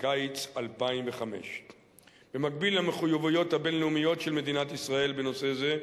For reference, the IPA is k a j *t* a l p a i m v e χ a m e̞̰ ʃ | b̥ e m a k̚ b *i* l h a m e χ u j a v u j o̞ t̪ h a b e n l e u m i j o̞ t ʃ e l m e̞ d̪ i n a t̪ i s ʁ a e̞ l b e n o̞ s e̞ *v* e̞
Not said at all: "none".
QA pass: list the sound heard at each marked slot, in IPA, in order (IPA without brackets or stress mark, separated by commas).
t͡s, i, z